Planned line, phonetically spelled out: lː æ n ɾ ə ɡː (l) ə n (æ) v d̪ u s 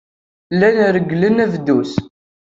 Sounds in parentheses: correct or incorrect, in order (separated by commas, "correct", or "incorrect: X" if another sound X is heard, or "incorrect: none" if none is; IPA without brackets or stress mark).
correct, correct